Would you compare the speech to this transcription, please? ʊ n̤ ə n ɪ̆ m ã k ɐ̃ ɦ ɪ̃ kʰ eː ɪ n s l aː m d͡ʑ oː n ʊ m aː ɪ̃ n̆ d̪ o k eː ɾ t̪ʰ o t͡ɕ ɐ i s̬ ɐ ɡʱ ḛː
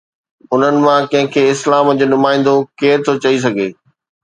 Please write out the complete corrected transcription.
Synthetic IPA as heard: ʊ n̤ ə n ɪ̆ m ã k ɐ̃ ɦ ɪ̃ kʰ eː ɪ s l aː m d͡ʑ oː n ʊ m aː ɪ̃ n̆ d̪ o k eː ɾ t̪ʰ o t͡ɕ ɐ i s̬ ɐ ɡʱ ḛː